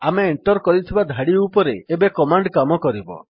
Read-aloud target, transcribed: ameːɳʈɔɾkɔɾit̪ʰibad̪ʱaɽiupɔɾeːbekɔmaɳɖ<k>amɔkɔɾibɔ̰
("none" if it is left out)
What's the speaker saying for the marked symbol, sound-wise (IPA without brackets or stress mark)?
k